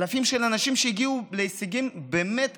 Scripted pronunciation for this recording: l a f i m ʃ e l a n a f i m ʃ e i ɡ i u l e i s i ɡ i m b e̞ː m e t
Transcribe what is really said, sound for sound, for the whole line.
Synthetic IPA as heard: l a f i m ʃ e l a n a ʃ i m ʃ e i ɡ i u l e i s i ɡ i m b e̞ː m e t